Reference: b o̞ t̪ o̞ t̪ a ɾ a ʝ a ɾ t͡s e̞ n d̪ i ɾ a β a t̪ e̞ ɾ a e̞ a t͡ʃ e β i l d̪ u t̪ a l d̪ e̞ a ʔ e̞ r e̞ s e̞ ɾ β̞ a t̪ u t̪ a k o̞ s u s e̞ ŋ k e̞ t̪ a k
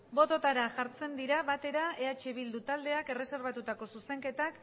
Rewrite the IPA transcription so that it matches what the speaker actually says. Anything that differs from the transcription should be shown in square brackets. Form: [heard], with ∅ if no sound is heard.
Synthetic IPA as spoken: b o̞ t̪ o̞ t̪ a ɾ a ʝ a ɾ t͡s e̞ n d̪ i ɾ a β a t̪ e̞ ɾ a e̞ a t͡ʃ e β i l d̪ u t̪ a l d̪ e̞ a [k] e̞ r e̞ s e̞ ɾ β̞ a t̪ u t̪ a k o̞ s u s e̞ ŋ k e̞ t̪ a k